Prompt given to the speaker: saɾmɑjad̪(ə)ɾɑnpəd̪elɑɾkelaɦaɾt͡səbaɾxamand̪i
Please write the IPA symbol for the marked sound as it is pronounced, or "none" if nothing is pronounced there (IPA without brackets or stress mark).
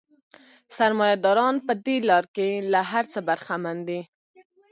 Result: ɑ